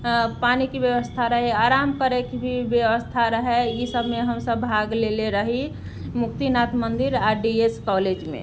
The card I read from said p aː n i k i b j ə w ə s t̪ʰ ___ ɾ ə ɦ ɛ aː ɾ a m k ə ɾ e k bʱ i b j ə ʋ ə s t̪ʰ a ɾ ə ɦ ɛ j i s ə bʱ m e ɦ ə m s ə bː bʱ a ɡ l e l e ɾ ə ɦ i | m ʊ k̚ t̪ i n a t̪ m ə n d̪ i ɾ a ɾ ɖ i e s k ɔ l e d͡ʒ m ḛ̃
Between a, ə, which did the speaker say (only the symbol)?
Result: a